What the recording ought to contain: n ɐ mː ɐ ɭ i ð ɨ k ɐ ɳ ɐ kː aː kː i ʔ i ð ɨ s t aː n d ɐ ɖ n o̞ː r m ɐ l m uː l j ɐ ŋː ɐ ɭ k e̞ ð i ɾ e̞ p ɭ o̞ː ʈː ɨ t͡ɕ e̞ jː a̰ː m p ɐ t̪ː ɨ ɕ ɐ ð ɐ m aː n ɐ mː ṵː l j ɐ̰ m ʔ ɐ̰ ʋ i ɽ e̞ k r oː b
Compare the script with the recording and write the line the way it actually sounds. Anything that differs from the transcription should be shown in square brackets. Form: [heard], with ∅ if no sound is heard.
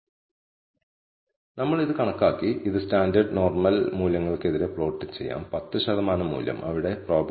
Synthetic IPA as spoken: n ɐ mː ɐ ɭ i ð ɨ k ɐ ɳ ɐ kː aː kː i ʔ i ð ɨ s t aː n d ɐ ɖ n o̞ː r m ɐ l m uː l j ɐ ŋː ɐ ɭ k e̞ ð i ɾ e̞ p ɭ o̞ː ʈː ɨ t͡ɕ e̞ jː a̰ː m p ɐ t̪ː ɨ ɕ ɐ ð ɐ m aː n ɐ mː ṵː l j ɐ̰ m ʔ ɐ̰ ʋ i ɽ e̞ [p] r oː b